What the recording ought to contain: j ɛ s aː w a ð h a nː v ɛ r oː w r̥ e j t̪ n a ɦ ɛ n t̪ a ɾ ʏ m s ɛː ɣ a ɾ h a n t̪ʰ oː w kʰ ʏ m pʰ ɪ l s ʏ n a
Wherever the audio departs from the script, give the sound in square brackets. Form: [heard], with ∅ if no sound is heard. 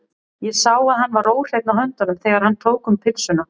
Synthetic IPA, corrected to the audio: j ɛ s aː w a ð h a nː v [a] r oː w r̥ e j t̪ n a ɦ [œ] n t̪ a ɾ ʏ m [θ] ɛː ɣ a ɾ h a n t̪ʰ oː w [k] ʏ m pʰ ɪ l s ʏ n a